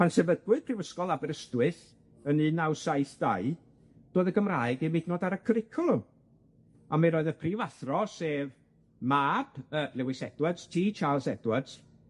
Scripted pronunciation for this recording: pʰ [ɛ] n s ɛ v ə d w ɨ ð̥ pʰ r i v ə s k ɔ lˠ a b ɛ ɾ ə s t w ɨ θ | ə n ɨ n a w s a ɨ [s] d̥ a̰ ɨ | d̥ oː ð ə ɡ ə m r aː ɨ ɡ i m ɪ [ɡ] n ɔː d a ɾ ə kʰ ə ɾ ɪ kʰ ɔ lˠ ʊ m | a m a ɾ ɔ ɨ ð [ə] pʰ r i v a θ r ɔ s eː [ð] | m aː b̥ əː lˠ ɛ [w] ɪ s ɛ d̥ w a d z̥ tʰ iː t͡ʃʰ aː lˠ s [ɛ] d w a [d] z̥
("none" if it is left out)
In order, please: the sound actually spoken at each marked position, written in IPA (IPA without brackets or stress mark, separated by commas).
a, θ, d, ə, v, w, ɛ, d